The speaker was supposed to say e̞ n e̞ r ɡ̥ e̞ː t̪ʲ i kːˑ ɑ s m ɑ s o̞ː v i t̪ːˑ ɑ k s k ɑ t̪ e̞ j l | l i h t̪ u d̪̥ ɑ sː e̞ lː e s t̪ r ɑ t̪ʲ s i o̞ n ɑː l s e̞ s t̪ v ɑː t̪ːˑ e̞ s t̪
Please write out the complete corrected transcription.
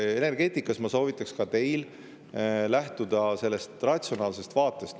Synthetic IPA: e̞ n e̞ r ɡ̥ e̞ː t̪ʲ i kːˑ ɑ s m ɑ s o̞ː v i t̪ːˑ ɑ k s k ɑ t̪ e̞ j l | l æ h t̪ u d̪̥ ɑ s e̞ lː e s t̪ r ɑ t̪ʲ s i o̞ n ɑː l s e̞ s t̪ v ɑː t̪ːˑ e̞ s t̪